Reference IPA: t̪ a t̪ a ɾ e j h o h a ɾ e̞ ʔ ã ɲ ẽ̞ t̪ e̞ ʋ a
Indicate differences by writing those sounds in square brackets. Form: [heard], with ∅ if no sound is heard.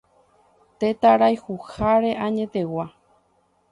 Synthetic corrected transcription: t̪ [e] t̪ a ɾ [a] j h [u] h a ɾ e̞ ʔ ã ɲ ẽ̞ t̪ e̞ [w] a